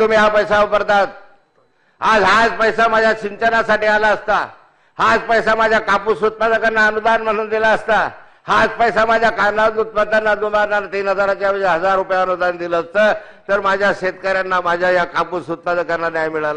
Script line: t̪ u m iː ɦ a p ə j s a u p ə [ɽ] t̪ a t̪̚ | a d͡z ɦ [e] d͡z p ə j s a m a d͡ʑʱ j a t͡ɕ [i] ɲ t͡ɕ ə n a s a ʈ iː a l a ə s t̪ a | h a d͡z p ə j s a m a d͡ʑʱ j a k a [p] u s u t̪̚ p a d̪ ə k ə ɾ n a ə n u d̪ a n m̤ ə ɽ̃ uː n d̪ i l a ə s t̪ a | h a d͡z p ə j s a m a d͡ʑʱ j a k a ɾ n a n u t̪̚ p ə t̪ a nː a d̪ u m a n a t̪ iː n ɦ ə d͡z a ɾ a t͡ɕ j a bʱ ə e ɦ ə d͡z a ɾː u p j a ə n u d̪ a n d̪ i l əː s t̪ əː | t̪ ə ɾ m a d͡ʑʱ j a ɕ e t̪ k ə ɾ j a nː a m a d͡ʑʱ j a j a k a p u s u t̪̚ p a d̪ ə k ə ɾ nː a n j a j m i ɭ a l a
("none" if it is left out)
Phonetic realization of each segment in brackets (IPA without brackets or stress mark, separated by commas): ɾ, a, i, p